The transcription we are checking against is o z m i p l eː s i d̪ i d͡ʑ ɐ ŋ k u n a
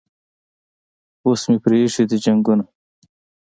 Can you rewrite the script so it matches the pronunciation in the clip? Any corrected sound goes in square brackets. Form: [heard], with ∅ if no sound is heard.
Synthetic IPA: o [s] m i p [ɾ] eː [ʂ] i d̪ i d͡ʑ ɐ ŋ [ɡ] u n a